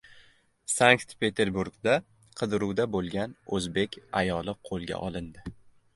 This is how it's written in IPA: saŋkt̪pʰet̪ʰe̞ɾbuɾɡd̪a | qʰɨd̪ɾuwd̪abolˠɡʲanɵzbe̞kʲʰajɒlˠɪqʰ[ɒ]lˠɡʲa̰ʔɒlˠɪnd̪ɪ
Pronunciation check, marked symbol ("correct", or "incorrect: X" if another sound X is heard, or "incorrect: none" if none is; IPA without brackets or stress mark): incorrect: o